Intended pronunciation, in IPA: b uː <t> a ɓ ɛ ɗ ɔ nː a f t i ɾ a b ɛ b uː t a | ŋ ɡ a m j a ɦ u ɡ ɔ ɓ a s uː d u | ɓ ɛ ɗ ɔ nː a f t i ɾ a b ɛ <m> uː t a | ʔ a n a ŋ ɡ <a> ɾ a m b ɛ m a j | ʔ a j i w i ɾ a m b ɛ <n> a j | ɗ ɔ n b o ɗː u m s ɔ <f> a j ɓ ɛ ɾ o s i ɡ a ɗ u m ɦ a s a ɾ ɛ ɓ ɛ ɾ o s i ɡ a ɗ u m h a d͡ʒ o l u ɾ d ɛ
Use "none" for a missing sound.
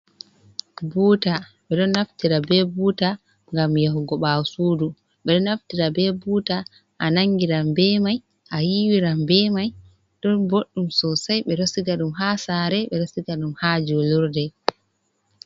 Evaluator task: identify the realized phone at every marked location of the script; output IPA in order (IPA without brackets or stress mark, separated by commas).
t, b, i, m, s